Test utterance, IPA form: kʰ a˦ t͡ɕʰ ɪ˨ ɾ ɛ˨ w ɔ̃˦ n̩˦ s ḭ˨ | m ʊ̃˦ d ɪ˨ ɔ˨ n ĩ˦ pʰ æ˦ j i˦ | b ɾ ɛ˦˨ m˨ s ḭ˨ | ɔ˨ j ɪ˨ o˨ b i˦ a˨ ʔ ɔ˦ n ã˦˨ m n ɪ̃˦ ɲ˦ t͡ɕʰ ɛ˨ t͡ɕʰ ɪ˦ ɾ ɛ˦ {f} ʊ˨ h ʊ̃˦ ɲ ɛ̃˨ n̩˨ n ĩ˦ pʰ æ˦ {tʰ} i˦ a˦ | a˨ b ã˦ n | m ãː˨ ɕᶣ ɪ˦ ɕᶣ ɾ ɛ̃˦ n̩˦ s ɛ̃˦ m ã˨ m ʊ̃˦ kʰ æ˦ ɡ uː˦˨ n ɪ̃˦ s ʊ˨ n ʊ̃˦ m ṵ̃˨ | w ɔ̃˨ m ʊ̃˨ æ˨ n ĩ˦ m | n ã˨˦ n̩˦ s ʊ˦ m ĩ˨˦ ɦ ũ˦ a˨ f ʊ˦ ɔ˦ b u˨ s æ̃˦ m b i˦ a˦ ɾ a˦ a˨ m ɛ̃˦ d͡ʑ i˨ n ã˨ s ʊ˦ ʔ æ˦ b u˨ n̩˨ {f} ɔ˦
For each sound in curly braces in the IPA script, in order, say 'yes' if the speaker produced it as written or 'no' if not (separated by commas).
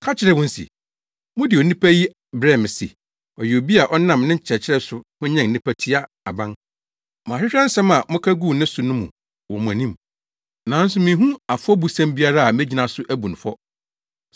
no, yes, yes